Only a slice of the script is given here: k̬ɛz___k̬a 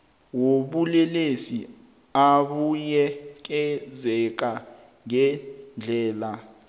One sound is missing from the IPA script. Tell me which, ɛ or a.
ɛ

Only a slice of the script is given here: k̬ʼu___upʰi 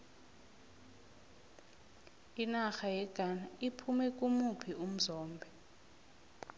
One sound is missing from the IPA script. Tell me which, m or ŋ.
m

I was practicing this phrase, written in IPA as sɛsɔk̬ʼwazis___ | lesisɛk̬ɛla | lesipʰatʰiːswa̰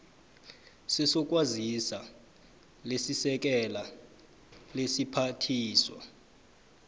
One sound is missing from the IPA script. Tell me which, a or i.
a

